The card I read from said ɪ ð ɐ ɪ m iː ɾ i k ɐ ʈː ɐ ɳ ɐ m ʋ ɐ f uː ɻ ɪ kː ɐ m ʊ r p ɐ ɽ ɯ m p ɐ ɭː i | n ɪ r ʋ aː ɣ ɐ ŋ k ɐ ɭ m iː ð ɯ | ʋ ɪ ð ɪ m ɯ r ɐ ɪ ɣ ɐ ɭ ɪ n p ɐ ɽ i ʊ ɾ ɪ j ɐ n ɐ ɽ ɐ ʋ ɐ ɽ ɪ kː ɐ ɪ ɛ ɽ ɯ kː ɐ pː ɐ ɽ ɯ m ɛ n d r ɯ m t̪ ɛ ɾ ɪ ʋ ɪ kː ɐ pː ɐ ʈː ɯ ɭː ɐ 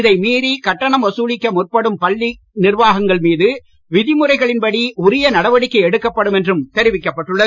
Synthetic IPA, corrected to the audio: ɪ ð ɐ ɪ m iː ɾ i k ɐ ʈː ɐ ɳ ɐ m ʋ ɐ s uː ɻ ɪ kː ɐ m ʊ r p ɐ ɽ ɯ m p ɐ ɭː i | n ɪ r ʋ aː ɣ ɐ ŋ ɡ ɐ ɭ m iː ð ɯ | ʋ ɪ ð ɪ m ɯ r ɐ ɪ ɣ ɐ ɭ ɪ n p ɐ ɽ i ʊ ɾ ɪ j ɐ n ɐ ɽ ɐ ʋ ɐ ɽ ɪ kː ɐ ɪ ɛ ɽ ɯ kː ɐ pː ɐ ɽ ɯ m ɛ n d r ɯ m t̪ ɛ ɾ ɪ ʋ ɪ kː ɐ pː ɐ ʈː ɯ ɭː ɐ